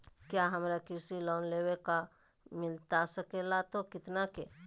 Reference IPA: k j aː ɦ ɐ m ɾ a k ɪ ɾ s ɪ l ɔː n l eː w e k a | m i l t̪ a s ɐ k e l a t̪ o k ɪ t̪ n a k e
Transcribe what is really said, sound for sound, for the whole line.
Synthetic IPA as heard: k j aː ɦ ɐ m ɾ a k ɪ ɾ s i l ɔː n l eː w e k a | m ɪ l t̪ a s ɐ k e l a t̪ o k ɪ t̪ n a k e